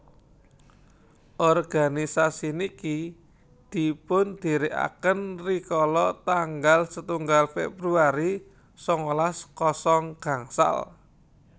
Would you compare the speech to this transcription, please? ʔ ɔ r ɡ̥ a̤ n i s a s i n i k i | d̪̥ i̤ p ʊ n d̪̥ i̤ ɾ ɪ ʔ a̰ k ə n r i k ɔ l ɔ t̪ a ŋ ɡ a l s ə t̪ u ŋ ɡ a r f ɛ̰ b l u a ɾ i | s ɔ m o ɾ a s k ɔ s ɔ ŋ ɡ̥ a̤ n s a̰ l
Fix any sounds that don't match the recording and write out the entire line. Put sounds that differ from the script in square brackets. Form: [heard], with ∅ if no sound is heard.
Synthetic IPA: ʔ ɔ r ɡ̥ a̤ n i s a s i n i k i | d̪̥ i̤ p ʊ n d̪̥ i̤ ɾ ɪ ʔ a̰ k ə n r i k ɔ l ɔ t̪ a ŋ ɡ a l s ə t̪ u ŋ ɡ a [l] f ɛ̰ b [ɾ] u a ɾ i | s ɔ [ŋ] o [l] a s k ɔ s ɔ ŋ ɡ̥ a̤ [ŋ] s a̰ l